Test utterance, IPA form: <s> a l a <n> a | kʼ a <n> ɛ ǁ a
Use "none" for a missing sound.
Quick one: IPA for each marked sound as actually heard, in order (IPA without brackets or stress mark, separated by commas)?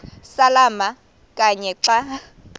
s, m, ɲ